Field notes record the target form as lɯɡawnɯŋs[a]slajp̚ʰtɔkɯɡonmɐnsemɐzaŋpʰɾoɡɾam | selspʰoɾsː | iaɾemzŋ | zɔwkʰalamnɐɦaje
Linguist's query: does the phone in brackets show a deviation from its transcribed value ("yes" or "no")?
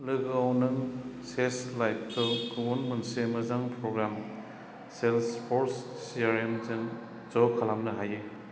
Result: yes